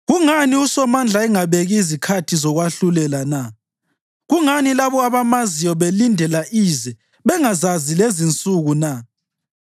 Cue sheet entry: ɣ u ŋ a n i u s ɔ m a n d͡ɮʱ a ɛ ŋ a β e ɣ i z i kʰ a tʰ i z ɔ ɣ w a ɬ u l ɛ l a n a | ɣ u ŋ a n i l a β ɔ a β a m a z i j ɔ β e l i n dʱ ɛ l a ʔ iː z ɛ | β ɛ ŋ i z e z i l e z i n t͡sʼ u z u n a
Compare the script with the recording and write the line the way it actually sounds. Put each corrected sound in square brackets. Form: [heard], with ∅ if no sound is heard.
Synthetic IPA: ɣ u ŋ a n i u s ɔ m a n d͡ɮʱ a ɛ ŋ a β e ɣ i z i kʰ a tʰ i z ɔ ɣ w a ɬ u l ɛ l a n a | ɣ u ŋ a n i l a β ɔ a β a m a z i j ɔ β e l i n dʱ ɛ l a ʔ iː z ɛ | β ɛ ŋ [a] z [a] z i l e z i n t͡sʼ u [ɣ] u n a